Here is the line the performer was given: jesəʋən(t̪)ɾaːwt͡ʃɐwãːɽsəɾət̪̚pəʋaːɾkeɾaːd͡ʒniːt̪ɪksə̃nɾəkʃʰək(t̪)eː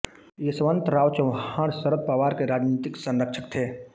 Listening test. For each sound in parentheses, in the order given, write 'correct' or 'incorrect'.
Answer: correct, incorrect: t̪ʰ

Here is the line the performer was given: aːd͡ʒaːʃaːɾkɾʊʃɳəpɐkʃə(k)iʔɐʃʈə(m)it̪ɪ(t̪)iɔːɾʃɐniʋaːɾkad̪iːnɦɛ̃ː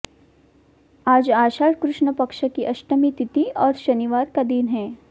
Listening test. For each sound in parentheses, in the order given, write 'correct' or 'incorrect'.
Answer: correct, correct, correct

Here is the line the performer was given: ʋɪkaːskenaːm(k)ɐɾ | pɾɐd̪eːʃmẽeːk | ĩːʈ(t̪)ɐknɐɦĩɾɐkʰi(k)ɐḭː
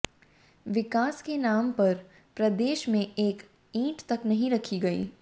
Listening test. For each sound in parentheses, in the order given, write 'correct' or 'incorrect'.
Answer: incorrect: p, correct, incorrect: ɡ

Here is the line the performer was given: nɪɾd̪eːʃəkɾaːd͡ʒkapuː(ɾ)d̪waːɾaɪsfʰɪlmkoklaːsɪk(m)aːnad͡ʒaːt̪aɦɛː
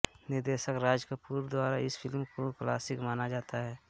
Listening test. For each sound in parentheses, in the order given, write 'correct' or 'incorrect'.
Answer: correct, correct

